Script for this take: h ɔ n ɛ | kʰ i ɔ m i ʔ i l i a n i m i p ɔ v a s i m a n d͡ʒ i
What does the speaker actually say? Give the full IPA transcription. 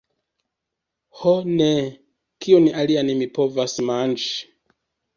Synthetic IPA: h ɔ n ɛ | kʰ i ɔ n i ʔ a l i a n i m i p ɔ v a s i m a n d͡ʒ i